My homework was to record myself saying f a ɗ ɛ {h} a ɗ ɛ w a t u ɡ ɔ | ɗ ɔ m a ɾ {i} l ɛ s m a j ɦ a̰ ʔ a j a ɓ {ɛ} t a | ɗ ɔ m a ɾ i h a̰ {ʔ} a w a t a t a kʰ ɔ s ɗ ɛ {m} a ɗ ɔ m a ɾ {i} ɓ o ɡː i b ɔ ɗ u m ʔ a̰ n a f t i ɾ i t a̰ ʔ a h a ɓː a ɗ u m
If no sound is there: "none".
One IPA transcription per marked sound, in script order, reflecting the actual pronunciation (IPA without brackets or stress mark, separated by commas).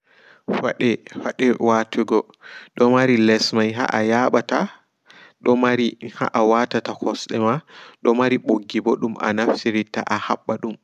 f, i, a, ʔ, m, i